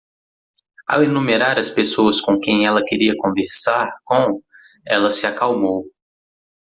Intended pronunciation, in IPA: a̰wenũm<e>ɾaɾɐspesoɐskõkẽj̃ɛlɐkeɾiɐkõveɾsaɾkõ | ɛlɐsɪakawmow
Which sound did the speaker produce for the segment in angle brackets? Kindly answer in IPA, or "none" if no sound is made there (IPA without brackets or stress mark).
e